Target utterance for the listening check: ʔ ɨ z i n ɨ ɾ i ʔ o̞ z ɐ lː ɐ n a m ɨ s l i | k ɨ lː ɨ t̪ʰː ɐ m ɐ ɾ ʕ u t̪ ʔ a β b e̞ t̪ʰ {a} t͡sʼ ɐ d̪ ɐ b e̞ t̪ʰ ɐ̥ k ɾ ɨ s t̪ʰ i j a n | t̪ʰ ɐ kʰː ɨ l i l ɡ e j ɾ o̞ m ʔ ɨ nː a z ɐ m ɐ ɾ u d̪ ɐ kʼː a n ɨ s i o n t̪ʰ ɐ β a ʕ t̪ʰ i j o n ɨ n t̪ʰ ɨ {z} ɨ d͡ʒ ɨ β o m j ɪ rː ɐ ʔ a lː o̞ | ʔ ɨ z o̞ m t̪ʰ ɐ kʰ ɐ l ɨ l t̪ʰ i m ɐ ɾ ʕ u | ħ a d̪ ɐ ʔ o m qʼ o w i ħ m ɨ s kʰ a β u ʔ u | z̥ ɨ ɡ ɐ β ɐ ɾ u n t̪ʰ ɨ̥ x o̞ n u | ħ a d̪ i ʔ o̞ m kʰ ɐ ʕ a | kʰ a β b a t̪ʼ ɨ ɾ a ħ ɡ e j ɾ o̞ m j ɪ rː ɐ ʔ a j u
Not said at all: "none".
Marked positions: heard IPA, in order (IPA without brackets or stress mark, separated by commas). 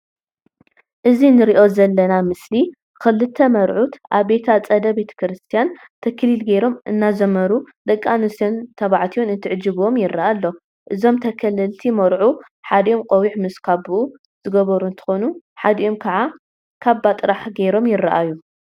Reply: a, ʕ